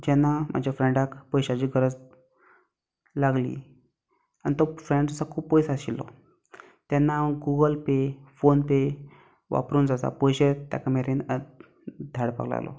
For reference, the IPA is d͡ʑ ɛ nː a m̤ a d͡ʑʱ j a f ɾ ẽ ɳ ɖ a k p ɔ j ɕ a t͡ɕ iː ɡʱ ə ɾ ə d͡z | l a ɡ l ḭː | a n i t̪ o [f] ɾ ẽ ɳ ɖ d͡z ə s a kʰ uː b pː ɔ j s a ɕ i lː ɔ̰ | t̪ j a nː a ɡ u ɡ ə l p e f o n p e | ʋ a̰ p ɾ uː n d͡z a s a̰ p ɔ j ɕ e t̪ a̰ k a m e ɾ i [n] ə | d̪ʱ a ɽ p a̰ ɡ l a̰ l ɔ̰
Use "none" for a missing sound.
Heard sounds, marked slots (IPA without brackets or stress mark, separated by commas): f, n